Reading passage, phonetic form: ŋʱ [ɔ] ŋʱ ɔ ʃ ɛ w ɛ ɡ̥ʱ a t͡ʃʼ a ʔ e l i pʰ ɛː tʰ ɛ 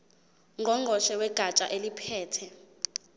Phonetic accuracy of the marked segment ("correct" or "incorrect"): correct